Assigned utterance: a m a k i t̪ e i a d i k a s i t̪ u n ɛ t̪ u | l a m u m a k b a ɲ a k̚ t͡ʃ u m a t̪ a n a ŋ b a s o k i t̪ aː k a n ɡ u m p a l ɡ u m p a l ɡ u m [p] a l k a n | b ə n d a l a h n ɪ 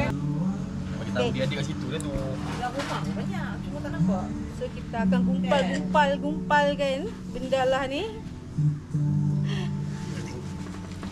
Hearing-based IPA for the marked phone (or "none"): p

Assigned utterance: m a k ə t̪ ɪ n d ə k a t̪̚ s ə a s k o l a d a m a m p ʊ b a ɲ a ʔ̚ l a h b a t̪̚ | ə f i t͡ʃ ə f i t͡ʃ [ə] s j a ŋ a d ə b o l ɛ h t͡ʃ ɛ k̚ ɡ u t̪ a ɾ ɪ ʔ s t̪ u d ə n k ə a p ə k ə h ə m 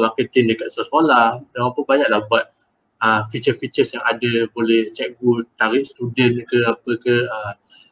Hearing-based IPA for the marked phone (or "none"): ə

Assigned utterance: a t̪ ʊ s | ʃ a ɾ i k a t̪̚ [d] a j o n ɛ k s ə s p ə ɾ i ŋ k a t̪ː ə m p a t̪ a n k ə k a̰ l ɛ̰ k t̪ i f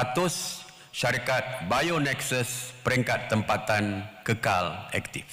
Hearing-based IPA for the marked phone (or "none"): b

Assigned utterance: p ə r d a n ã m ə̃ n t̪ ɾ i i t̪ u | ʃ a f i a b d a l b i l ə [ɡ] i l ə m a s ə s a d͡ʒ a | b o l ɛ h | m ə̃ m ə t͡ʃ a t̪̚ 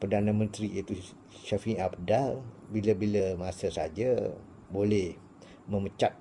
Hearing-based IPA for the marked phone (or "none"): b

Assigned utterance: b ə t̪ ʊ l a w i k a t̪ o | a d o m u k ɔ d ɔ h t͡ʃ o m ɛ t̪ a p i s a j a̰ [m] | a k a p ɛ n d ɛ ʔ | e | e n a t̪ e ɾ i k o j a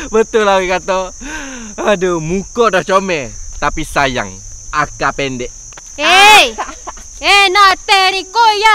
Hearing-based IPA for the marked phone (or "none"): ŋ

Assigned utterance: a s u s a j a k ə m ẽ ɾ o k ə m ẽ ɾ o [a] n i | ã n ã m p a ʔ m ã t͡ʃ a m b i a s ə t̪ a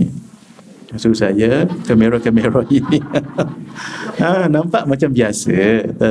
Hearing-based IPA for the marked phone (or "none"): i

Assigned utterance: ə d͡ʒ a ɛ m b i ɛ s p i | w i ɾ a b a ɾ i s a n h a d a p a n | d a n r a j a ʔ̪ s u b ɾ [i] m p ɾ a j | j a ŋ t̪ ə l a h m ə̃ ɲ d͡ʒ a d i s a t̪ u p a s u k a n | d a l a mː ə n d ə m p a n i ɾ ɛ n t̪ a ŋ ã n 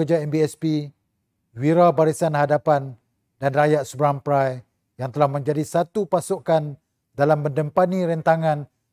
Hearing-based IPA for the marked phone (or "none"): a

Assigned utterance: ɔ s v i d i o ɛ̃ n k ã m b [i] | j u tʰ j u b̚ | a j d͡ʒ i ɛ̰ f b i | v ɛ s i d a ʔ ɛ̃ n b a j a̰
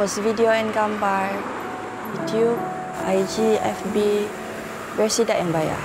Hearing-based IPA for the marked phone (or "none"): a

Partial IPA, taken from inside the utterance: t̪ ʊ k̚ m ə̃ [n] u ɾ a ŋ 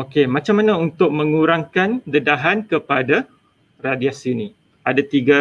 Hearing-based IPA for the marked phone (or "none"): ŋ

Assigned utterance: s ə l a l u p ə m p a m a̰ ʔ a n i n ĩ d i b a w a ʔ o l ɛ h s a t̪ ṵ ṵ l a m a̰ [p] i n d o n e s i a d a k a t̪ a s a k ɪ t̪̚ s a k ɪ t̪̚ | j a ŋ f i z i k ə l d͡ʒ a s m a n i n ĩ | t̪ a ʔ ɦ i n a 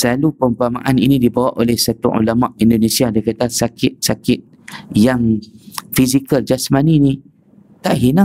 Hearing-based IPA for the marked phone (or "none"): ʔ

